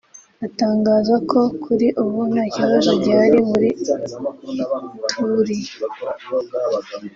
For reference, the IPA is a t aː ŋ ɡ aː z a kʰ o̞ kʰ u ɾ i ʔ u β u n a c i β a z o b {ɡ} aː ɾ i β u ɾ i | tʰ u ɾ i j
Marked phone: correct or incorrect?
incorrect